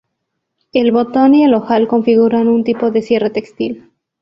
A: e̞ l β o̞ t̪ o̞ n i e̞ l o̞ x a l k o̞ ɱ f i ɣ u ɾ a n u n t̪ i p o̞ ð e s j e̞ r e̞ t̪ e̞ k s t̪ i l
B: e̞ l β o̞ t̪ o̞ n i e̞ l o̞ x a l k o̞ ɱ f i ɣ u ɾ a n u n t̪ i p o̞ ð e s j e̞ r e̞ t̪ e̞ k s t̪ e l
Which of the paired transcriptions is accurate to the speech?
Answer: A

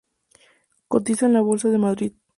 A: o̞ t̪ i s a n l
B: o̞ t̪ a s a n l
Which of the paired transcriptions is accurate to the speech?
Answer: A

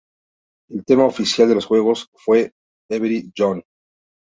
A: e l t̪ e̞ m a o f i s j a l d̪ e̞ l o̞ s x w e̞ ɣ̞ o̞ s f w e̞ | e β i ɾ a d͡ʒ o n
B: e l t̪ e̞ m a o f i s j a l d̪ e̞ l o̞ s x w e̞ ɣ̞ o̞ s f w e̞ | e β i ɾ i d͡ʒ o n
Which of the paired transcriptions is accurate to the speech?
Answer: B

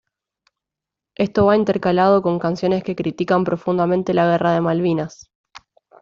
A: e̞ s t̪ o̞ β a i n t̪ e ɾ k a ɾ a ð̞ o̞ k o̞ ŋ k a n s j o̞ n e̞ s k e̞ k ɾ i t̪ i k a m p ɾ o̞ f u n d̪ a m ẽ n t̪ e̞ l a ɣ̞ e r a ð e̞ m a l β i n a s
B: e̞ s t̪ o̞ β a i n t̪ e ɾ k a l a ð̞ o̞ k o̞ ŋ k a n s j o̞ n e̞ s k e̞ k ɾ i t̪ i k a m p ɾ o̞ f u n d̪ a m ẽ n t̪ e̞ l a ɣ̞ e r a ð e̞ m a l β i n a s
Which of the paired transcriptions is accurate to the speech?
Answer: B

